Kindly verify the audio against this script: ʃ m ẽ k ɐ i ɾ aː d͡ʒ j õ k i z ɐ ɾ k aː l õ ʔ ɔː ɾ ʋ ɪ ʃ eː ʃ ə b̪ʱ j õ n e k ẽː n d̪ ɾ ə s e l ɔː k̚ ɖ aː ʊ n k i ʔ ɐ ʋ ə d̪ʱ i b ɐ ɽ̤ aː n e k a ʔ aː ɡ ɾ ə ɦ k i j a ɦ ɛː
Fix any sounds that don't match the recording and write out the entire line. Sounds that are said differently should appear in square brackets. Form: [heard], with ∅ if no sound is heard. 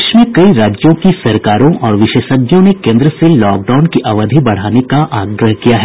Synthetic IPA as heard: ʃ m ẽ k ɐ i ɾ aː d͡ʒ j õ k i [s] ɐ ɾ k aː [ɾ] õ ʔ ɔː ɾ ʋ ɪ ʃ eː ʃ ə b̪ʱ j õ n e k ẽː n d̪ ɾ ə s e l ɔː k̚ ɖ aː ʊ n k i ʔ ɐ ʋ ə d̪ʱ i b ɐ ɽ̤ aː n e k a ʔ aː ɡ ɾ ə ɦ k i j a ɦ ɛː

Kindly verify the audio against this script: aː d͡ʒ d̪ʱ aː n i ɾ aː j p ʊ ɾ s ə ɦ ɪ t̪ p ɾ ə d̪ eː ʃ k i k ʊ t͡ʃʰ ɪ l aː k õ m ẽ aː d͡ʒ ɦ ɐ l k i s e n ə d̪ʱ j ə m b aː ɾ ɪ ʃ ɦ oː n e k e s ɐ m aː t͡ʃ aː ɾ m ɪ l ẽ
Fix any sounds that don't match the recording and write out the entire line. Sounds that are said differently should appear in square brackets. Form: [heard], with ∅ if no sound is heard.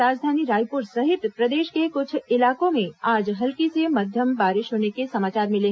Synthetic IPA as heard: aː d͡ʒ d̪ʱ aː n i ɾ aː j p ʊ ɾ s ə ɦ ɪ t̪ p ɾ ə d̪ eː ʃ k [e] k ʊ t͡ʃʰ ɪ l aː k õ m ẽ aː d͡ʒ ɦ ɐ l k i s e [m] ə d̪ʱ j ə m b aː ɾ ɪ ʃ ɦ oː n e k e s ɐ m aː t͡ʃ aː ɾ m ɪ l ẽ

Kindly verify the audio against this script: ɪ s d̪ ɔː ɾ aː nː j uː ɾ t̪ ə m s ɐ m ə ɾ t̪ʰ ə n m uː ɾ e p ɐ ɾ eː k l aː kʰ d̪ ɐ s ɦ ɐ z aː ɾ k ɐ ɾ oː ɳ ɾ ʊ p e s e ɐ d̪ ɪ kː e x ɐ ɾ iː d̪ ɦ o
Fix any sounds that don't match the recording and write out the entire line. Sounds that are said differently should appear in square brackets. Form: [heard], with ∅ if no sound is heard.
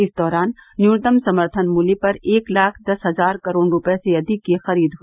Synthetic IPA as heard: ɪ s d̪ ɔː ɾ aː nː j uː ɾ t̪ ə m s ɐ m ə ɾ t̪ʰ ə n m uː [l] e p ɐ ɾ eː k l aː kʰ d̪ ɐ s ɦ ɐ z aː ɾ k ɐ ɾ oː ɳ ɾ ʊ p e s e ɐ d̪ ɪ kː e x ɐ ɾ iː d̪ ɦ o

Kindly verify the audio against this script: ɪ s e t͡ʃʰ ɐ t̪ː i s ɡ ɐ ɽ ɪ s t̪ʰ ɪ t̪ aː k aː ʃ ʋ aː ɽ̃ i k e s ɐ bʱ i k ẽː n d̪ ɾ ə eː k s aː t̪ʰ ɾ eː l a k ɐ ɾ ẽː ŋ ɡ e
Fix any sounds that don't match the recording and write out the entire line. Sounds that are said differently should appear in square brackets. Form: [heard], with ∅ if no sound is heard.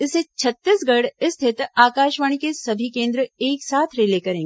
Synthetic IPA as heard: ɪ s e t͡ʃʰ ɐ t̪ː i s ɡ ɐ ɽ ɪ s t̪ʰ ɪ t̪ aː k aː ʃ ʋ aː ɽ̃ i k e s ɐ bʱ i k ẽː n d̪ ɾ ə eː k s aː t̪ʰ ɾ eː l [e] k ɐ ɾ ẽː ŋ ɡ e

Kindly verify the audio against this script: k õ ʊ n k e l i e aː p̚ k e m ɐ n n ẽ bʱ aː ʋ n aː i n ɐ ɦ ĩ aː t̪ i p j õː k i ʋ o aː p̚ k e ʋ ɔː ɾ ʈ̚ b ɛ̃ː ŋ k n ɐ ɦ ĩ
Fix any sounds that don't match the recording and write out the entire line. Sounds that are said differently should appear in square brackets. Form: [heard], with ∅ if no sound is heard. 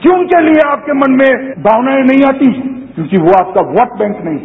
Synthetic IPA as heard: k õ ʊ n k e l i e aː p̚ k e m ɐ n [m] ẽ bʱ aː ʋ n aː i n ɐ ɦ ĩ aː t̪ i [k] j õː k i ʋ o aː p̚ k [a] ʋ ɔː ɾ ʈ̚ b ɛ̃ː ŋ k n ɐ ɦ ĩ

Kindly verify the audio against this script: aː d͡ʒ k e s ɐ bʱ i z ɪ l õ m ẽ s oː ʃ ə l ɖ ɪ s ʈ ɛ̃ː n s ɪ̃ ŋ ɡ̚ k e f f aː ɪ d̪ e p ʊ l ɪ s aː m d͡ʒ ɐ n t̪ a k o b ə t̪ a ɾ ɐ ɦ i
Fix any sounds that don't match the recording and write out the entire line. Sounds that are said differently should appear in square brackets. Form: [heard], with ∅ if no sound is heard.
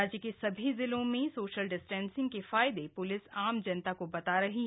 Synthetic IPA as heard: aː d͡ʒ k e s ɐ bʱ i z ɪ l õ m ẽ s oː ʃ ə l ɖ ɪ s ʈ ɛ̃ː n s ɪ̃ ŋ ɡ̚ k e f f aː ɪ d̪ e p ʊ l ɪ s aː m d͡ʒ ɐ n t̪ a k o b [ɐ] t̪ a ɾ ɐ ɦ i

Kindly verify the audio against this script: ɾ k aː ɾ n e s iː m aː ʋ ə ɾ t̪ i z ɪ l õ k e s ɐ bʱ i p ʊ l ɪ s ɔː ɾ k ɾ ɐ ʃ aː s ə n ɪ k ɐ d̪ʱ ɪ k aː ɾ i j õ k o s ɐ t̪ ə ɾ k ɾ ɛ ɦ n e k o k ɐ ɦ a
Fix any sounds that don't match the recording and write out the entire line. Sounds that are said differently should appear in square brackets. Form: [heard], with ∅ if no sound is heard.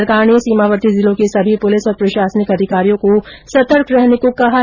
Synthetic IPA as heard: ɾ k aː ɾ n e s iː m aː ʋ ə ɾ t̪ i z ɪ l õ k e s ɐ bʱ i p ʊ l ɪ s ɔː ɾ [p] ɾ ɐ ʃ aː s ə n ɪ k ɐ d̪ʱ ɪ k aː ɾ i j õ k o s ɐ t̪ ə ɾ k ɾ ɛ ɦ n e k o k ɐ ɦ a

